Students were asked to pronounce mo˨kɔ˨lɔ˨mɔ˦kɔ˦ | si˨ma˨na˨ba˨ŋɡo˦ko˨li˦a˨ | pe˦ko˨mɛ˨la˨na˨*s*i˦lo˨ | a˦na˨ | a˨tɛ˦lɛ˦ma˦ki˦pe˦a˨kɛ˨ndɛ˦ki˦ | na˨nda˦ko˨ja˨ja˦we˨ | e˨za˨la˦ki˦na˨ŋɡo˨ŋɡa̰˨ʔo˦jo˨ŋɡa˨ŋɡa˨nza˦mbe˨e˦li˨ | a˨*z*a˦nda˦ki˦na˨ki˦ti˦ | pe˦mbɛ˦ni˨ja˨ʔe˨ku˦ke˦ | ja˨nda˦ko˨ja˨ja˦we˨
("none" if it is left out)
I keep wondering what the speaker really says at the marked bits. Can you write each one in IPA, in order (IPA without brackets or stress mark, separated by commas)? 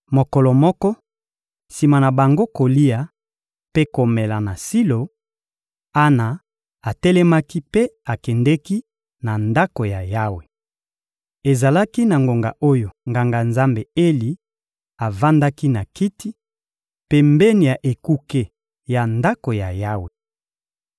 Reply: s, v